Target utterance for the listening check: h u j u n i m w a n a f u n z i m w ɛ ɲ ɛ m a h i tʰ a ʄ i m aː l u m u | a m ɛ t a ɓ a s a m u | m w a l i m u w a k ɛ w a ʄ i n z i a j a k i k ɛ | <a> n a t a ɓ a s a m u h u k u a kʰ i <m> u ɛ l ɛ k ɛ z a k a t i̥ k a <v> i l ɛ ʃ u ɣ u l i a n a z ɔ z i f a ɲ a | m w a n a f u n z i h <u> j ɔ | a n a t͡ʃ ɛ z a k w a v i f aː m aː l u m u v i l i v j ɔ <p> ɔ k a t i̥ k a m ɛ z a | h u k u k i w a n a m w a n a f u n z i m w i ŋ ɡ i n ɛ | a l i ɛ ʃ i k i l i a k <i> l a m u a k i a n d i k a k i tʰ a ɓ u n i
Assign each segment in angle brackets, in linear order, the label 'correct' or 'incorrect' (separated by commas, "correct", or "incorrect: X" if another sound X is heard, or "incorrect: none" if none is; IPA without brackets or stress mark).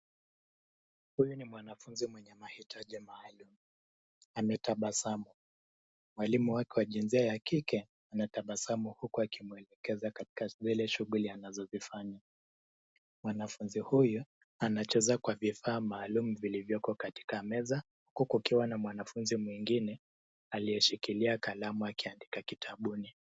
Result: correct, correct, incorrect: z, correct, incorrect: k, incorrect: a